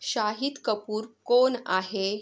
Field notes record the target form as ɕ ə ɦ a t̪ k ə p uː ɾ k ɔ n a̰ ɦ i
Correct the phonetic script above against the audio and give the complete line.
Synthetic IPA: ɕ a ɦ i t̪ k ə p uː ɾ k o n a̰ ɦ e

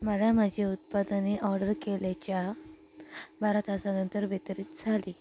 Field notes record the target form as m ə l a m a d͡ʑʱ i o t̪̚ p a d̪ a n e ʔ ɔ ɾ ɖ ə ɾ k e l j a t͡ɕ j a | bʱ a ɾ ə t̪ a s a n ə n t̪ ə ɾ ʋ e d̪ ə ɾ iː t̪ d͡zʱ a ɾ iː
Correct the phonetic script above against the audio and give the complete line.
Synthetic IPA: m ə l a m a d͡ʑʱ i u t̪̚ p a d̪ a n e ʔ ɔ ɾ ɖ ə ɾ k e l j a t͡ɕ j a | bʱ a ɾ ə t̪ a s a n ə n t̪ ə ɾ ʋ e t̪ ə ɾ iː t̪ d͡zʱ a l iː

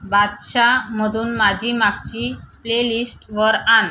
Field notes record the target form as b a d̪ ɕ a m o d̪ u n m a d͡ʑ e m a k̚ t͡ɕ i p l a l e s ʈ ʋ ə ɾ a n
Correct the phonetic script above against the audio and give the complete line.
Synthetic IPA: b a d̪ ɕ a m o d̪ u n m a d͡ʑ i m a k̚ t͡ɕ i p l e l i s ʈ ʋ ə ɾ a n

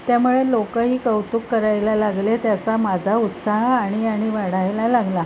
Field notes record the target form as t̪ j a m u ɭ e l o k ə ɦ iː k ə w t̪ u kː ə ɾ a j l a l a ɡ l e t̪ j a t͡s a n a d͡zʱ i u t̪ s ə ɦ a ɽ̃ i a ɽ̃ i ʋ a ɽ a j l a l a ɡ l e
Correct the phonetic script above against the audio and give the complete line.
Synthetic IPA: t̪ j a m u ɭ e l o k ə ɦ iː k ə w t̪ u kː ə ɾ a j l a l a ɡ l e t̪ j a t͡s a m a d͡zʱ a u t̪ s a ɦ a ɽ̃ i a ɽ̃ i ʋ a ɽ a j l a l a ɡ l a

